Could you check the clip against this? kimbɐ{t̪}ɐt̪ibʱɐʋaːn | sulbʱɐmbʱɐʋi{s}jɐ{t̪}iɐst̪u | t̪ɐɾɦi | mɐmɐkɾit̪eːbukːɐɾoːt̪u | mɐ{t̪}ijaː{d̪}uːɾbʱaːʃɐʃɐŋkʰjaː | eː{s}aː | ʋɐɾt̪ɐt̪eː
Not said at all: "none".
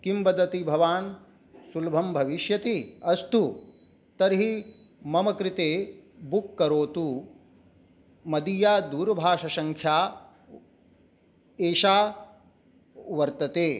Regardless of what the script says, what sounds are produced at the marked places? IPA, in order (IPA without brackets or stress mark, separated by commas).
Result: d̪, ʃ, t̪, d̪, d̪, ʃ